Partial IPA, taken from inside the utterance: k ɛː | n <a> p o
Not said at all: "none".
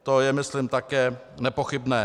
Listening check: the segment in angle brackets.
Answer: ɛ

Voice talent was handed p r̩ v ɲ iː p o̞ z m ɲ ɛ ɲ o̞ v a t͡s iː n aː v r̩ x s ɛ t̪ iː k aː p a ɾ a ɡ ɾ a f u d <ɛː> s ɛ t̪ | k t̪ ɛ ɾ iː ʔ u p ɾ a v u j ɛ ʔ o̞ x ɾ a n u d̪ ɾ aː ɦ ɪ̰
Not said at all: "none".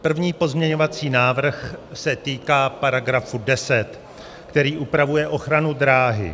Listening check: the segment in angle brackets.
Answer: ɛ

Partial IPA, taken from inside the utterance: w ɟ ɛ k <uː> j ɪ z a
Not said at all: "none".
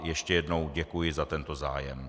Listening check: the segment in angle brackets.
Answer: u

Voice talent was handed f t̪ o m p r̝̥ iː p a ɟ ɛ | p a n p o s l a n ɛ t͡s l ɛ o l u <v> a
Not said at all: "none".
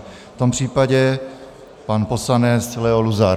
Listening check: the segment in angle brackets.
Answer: z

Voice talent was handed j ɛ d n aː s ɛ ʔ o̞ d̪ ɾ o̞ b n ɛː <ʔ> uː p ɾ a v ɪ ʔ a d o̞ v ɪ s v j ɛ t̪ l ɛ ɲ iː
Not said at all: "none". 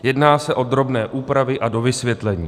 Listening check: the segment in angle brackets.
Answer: ʔ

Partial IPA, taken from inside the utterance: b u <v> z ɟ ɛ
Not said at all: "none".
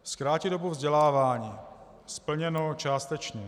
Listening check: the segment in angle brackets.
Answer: v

